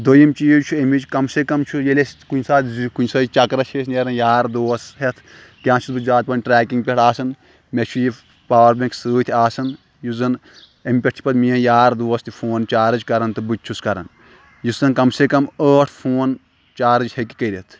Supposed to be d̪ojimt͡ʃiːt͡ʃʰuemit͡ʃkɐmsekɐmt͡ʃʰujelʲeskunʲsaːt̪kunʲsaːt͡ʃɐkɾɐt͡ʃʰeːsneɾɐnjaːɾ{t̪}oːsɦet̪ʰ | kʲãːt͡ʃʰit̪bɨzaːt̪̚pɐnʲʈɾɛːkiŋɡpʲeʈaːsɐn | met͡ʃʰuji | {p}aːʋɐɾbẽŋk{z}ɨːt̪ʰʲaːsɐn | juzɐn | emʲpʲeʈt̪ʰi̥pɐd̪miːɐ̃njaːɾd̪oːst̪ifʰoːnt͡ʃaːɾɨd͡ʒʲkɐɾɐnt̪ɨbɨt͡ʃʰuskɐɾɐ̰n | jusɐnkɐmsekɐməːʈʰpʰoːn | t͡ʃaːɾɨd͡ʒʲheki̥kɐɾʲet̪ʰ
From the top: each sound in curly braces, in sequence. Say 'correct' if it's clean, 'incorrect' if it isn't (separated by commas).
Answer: incorrect, correct, incorrect